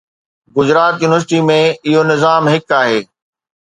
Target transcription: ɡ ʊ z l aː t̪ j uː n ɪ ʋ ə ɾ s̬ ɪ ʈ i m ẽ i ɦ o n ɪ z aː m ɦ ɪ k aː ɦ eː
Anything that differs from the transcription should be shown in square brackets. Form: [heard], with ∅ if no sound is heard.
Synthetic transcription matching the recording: ɡ ʊ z [ɾ] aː t̪ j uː n ɪ ʋ ə ɾ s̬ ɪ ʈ i m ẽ [ɪ] ɦ o n ɪ z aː m ɦ ɪ k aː ɦ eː